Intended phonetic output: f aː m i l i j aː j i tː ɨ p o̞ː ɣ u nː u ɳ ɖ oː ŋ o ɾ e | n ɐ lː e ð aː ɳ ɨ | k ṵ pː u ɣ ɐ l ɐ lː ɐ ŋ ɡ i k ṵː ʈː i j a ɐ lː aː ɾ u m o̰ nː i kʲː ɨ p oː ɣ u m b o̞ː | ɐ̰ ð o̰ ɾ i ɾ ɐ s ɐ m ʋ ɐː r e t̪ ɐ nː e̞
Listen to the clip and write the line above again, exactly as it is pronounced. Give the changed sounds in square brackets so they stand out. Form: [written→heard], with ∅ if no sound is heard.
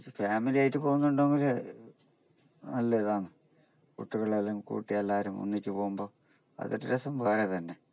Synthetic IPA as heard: f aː m i l i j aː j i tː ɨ p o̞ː ɣ u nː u ɳ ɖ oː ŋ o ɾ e | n ɐ lː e ð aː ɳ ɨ | k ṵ [pː→ʈː] u ɣ ɐ [l→ɭ] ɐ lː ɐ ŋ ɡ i k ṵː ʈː i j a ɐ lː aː ɾ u m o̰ nː i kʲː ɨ p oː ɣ u m b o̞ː | ɐ̰ ð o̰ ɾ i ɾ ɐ s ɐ m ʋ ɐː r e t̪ ɐ nː e̞